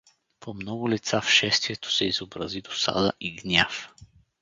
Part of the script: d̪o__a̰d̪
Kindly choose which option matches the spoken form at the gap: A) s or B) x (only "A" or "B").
A